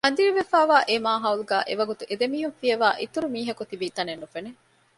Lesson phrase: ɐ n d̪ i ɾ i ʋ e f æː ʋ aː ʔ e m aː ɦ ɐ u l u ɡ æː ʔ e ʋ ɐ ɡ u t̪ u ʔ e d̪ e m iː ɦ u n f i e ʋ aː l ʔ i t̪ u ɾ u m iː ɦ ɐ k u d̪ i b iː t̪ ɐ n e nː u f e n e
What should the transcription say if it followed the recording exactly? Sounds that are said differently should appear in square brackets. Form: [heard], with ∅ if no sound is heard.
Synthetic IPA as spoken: ɐ n d̪ i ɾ i ʋ e f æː ʋ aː ʔ e m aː ɦ ɐ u l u ɡ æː ʔ e ʋ ɐ ɡ u t̪ u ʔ e d̪ e m iː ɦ u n f i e ʋ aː [∅] ʔ i t̪ u ɾ u m iː ɦ ɐ k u [t̪] i b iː t̪ ɐ n e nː u f e n e